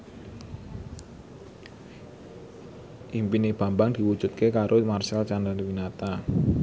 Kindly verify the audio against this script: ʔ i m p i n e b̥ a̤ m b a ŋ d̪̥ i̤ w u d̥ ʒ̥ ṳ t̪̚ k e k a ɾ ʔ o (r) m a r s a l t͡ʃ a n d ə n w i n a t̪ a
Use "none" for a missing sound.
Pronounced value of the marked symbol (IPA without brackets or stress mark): none